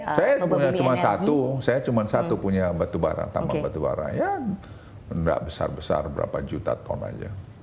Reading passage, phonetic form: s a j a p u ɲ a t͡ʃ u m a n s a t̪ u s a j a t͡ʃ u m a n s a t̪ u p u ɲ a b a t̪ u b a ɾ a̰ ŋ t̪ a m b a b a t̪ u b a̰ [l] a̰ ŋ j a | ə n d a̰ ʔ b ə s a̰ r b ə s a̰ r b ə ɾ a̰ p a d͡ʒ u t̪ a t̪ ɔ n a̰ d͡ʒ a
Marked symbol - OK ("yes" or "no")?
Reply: no